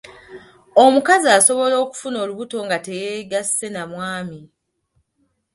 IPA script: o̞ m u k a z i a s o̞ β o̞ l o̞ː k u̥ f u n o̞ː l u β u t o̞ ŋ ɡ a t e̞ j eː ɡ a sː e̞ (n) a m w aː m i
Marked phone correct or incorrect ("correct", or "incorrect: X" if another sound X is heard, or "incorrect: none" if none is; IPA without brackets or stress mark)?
correct